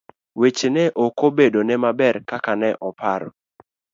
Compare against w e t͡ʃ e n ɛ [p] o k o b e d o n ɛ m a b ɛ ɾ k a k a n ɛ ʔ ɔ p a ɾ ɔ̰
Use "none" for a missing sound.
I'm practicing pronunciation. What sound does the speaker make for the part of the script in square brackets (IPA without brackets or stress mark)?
ʔ